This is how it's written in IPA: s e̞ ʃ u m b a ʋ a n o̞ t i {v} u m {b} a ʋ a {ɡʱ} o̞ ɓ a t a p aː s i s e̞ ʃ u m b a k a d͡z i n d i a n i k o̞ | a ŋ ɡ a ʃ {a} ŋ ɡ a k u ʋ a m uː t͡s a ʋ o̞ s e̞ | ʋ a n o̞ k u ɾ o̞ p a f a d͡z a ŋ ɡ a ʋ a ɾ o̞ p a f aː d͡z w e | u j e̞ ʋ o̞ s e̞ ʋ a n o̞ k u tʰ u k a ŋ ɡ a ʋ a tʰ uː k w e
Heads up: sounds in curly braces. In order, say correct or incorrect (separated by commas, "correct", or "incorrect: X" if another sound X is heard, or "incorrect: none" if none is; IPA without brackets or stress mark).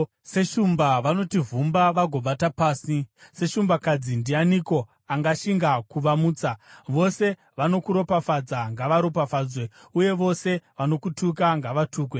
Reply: correct, correct, correct, incorrect: i